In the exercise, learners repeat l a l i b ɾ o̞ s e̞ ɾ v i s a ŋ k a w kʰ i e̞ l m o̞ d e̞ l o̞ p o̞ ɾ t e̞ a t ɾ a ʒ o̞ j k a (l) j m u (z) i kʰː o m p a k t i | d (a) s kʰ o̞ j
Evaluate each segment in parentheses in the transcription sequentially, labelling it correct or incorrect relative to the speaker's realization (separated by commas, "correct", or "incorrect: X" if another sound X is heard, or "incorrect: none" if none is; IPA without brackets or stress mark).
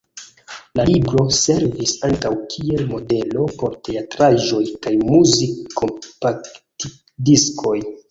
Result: incorrect: none, correct, incorrect: i